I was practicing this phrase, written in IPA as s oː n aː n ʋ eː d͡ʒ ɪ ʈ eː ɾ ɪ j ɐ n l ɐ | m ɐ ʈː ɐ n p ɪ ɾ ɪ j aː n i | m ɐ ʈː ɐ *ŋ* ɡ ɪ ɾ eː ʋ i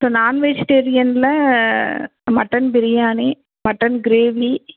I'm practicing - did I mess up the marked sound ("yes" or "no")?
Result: yes